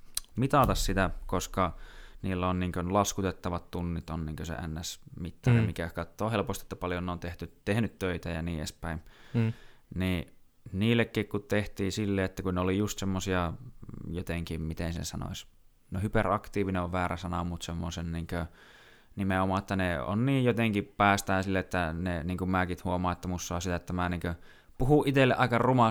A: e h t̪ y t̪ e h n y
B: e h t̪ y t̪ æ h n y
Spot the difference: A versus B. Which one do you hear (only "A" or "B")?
A